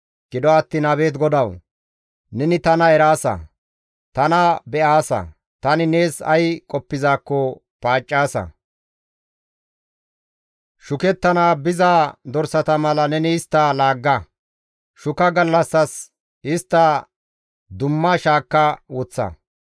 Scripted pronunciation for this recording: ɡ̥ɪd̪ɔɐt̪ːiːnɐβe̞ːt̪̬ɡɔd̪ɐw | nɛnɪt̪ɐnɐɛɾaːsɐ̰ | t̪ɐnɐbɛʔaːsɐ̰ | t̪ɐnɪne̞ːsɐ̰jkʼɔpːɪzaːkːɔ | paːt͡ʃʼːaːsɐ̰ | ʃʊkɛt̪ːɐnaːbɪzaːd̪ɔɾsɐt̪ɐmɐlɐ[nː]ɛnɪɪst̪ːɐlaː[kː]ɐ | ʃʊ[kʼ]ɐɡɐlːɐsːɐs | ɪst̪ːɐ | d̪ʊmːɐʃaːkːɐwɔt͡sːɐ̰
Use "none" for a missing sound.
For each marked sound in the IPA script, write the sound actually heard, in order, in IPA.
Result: n, ɡː, k

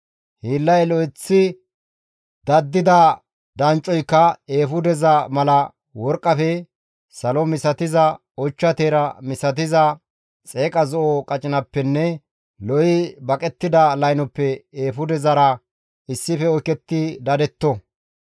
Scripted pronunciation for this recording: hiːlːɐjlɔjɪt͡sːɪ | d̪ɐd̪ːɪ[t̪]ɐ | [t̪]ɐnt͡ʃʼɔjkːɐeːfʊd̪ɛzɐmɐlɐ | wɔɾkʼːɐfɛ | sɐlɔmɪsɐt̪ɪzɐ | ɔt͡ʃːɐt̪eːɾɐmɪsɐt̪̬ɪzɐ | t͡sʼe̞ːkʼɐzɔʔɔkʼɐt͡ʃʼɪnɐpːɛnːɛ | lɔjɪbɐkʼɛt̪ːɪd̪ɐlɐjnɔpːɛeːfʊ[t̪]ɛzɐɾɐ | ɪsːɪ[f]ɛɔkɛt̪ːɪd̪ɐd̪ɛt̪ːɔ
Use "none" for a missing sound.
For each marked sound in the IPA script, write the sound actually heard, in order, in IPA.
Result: d̪, d̪, d̪, f

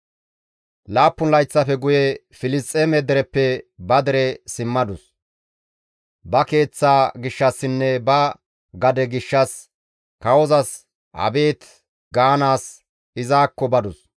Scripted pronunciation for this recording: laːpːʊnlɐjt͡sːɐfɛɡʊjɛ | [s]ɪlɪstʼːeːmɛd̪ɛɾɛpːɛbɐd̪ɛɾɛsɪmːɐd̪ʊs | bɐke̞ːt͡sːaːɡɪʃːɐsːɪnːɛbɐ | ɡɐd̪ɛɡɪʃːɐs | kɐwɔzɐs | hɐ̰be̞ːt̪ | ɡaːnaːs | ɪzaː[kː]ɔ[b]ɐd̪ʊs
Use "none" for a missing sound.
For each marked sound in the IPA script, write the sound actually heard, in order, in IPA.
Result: f, kː, b

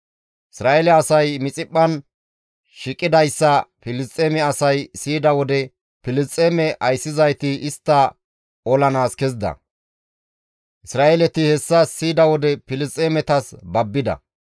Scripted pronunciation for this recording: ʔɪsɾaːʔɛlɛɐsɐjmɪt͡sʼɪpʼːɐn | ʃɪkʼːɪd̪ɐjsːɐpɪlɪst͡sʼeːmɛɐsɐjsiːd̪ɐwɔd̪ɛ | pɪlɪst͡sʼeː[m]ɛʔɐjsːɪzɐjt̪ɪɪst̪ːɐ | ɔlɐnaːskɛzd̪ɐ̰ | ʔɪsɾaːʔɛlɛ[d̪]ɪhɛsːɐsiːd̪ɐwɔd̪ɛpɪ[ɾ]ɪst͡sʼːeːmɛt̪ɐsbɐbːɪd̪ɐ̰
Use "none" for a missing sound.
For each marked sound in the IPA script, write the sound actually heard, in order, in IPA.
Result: m, t̪, l

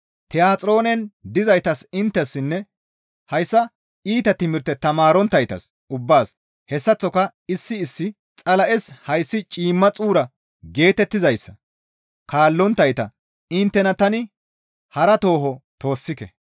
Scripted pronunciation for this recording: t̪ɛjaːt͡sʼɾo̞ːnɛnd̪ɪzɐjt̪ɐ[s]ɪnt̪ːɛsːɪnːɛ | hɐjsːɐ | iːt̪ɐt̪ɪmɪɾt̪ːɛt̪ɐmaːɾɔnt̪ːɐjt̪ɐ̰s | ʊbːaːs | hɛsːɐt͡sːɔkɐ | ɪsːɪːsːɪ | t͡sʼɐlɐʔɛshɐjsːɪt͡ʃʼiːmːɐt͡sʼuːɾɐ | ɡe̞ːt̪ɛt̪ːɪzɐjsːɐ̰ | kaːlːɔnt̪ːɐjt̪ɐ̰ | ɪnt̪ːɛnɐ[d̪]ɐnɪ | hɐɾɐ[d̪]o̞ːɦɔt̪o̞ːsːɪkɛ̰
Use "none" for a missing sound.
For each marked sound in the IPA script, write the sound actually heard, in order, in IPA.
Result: s, t̪, t̪

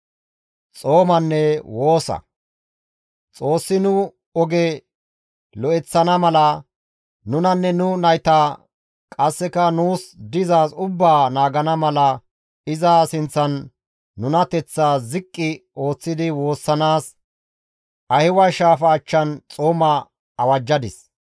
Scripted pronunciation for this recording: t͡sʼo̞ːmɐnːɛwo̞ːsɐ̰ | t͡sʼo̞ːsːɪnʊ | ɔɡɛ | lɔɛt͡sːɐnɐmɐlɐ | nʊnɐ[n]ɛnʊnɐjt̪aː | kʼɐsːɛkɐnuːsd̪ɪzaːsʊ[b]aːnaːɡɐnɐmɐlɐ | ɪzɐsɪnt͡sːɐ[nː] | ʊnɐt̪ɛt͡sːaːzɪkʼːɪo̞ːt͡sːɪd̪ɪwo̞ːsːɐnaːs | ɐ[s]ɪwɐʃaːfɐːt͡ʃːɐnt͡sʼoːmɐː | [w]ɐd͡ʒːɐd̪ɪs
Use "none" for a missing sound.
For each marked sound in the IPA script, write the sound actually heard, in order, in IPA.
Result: nː, bː, nː, h, w

